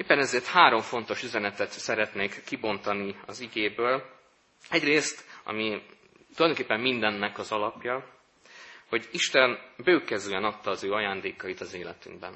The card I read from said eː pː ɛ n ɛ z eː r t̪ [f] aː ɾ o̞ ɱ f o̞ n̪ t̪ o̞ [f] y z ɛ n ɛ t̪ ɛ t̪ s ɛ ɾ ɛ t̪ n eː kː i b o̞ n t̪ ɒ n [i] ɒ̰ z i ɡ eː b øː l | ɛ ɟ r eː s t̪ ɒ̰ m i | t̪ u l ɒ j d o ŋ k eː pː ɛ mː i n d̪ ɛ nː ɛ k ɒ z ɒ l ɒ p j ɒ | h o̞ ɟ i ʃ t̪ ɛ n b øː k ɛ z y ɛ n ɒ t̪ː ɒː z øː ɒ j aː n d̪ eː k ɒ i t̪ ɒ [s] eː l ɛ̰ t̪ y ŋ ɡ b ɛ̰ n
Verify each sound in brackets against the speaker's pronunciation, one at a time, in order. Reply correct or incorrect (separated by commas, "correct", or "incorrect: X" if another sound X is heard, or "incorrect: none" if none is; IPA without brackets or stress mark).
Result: incorrect: h, incorrect: ʃ, correct, incorrect: z